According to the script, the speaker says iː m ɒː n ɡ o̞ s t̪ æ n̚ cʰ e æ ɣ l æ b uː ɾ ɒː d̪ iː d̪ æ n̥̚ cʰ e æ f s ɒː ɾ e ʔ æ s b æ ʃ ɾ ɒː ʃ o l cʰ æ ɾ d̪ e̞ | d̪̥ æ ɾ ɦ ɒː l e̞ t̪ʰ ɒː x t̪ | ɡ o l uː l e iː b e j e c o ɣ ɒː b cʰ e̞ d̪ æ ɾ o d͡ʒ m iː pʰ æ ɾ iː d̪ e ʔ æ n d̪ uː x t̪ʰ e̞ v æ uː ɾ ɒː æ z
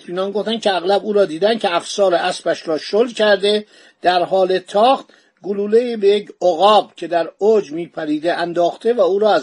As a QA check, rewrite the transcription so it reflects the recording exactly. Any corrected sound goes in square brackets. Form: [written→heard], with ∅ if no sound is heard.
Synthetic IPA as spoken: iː [m→n] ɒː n ɡ o̞ [s→f] t̪ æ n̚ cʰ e æ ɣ l æ b uː ɾ ɒː d̪ iː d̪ æ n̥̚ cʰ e æ f s ɒː ɾ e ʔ æ s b æ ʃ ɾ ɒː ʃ o l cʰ æ ɾ d̪ e̞ | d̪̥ æ ɾ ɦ ɒː l e̞ t̪ʰ ɒː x t̪ | ɡ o l uː l e iː b e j e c o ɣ ɒː b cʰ e̞ d̪ æ ɾ o d͡ʒ m iː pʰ æ ɾ iː d̪ e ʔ æ n d̪ [uː→ɒː] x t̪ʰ e̞ v æ uː ɾ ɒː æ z